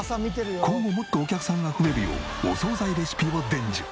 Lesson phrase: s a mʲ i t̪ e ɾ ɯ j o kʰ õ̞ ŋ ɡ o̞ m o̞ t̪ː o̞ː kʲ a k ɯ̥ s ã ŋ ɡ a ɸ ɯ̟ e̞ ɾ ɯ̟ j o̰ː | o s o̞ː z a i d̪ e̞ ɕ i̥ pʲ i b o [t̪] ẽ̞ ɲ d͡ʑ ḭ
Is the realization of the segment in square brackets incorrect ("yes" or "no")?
yes